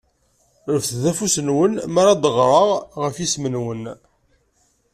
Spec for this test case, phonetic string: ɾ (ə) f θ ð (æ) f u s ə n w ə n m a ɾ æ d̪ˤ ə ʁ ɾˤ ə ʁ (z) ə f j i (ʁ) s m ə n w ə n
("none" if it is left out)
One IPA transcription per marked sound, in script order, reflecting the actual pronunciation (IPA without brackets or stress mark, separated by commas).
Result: ə, æ, ʁ, none